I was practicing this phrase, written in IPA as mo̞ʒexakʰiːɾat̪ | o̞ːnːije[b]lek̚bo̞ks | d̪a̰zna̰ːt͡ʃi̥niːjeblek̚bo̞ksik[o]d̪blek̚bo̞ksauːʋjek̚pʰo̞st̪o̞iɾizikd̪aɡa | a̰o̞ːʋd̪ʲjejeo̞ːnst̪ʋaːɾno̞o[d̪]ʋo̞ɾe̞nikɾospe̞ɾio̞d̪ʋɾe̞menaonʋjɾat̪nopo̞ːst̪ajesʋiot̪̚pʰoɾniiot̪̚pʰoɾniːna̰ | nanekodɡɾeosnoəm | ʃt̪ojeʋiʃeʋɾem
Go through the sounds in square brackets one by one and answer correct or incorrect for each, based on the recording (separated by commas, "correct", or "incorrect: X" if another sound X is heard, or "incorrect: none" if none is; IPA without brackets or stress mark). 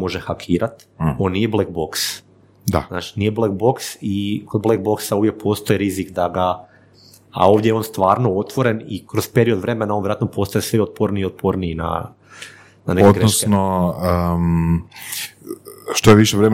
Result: correct, correct, incorrect: t̪